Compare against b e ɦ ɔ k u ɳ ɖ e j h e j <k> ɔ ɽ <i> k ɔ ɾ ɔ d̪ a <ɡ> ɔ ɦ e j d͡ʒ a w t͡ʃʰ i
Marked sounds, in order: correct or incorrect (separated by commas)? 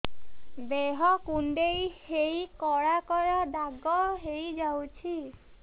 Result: correct, incorrect, correct